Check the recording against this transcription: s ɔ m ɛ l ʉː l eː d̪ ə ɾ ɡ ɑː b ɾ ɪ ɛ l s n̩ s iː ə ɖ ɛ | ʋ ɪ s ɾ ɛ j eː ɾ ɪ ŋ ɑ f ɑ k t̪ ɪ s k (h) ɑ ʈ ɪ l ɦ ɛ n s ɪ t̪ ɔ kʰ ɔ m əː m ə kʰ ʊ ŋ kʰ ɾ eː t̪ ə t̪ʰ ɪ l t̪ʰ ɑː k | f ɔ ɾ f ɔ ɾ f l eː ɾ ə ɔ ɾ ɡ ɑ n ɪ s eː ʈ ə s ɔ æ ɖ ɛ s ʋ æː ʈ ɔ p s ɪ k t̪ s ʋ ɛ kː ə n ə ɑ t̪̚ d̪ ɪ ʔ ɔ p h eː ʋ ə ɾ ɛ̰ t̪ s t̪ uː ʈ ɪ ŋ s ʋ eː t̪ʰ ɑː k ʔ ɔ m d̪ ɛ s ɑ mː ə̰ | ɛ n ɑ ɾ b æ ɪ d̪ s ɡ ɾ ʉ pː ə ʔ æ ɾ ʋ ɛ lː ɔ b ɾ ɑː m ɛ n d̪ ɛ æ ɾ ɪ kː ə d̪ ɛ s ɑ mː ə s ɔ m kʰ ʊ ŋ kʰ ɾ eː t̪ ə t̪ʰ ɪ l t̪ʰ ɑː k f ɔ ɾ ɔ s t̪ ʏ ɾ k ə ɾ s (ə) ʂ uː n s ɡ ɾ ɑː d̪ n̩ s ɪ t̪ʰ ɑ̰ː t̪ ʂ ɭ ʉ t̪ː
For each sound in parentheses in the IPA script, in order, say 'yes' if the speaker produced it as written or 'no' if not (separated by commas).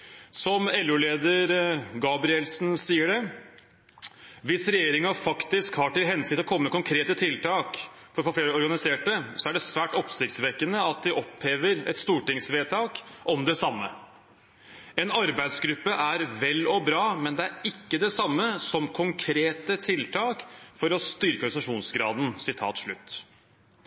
yes, no